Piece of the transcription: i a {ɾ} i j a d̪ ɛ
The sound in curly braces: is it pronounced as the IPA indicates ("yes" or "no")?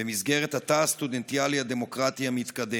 no